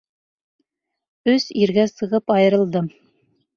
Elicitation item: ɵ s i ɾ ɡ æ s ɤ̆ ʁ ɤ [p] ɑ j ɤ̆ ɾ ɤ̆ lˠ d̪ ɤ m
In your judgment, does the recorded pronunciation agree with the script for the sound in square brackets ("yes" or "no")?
yes